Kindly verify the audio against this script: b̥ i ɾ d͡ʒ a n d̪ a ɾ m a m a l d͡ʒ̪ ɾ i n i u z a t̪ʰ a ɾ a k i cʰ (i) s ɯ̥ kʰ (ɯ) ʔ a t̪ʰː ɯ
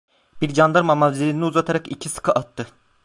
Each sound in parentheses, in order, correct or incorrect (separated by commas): correct, correct